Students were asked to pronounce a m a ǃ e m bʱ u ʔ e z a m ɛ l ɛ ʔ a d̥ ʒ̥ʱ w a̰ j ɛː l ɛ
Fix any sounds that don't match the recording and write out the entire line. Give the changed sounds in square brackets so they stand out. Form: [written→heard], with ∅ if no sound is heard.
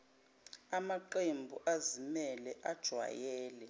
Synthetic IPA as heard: a m a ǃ e m bʱ u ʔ [e→a] z [a→i] m ɛ l ɛ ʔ a d̥ ʒ̥ʱ w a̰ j ɛː l ɛ